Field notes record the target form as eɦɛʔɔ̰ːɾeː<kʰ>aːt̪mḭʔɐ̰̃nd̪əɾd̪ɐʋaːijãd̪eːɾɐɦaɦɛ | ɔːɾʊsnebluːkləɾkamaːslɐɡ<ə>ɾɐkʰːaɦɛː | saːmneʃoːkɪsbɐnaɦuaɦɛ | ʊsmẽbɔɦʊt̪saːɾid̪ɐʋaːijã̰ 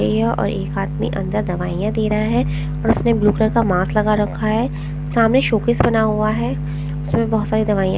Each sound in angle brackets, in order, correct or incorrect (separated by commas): incorrect, incorrect